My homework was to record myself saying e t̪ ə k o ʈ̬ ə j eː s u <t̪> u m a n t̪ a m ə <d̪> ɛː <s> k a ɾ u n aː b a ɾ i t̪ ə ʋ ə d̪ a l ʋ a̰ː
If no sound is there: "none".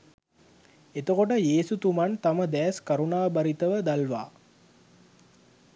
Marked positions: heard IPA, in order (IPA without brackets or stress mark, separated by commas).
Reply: t̪, d̪, s